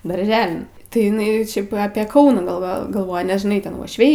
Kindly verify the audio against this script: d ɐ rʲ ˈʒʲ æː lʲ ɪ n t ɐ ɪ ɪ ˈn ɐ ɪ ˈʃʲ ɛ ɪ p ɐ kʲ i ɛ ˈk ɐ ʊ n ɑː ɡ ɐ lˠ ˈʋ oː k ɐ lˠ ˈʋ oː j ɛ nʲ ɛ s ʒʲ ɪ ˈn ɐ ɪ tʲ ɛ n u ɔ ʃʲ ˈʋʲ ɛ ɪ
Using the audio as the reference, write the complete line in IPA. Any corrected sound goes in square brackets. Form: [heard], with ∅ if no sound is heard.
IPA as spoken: d ɐ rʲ ˈʒʲ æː lʲ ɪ n t ɐ ɪ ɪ ˈn ɐ ɪ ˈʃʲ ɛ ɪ p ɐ [pʲ] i ɛ ˈk ɐ ʊ n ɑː ɡ ɐ lˠ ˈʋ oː [ɡ] ɐ lˠ ˈʋ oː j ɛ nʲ ɛ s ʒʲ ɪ ˈn ɐ ɪ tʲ ɛ n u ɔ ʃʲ ˈʋʲ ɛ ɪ